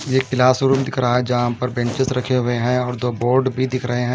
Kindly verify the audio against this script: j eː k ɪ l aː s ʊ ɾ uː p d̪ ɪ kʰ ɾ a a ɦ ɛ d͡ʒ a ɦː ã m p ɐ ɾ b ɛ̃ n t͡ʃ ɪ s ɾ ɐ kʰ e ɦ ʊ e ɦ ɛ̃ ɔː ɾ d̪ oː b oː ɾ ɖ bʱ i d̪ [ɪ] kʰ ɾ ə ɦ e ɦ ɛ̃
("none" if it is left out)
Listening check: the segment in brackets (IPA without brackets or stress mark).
ɪ